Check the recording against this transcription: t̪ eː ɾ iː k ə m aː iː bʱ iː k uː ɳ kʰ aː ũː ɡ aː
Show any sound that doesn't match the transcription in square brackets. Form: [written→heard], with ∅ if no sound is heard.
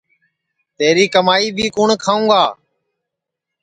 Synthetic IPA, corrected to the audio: t̪ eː ɾ iː k ə m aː iː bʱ iː k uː ɳ kʰ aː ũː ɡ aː